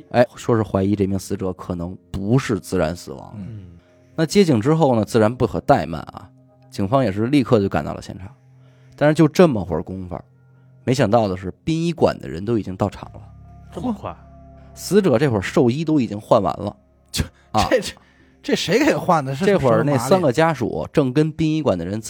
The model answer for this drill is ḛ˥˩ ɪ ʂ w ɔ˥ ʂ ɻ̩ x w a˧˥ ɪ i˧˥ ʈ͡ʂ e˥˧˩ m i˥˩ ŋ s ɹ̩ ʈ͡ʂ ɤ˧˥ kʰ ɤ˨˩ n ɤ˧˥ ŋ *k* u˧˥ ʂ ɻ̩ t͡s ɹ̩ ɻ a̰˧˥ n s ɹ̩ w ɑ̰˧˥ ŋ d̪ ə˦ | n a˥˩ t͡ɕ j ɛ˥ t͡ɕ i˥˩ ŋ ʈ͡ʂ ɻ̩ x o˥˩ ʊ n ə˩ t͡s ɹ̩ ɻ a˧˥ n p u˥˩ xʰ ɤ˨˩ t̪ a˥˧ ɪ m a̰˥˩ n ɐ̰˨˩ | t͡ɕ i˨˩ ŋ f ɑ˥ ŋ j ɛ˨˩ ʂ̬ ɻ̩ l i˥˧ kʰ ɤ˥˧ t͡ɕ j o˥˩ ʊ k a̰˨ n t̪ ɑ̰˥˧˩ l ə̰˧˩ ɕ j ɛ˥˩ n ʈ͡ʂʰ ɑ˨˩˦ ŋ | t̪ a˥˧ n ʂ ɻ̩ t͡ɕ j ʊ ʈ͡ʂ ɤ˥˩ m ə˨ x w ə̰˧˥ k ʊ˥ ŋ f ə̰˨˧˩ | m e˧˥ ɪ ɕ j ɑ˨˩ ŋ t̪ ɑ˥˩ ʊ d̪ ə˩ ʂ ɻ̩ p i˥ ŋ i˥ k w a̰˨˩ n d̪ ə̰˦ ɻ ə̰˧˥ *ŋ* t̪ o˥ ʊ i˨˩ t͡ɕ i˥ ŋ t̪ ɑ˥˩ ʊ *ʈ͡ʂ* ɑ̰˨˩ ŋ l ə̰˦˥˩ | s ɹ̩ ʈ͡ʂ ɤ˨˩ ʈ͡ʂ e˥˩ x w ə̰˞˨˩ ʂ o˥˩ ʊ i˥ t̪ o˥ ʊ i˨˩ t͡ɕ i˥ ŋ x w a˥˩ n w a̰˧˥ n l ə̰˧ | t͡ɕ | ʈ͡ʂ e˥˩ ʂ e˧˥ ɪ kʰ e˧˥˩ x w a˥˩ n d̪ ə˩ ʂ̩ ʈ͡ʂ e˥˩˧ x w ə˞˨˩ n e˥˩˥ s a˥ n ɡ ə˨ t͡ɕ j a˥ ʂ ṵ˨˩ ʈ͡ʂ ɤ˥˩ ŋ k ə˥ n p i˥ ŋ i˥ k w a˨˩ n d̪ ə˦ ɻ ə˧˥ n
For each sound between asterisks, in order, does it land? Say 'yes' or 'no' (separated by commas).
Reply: no, no, no